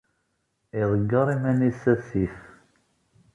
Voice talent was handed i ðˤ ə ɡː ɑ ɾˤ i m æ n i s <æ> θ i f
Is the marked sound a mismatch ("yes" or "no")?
no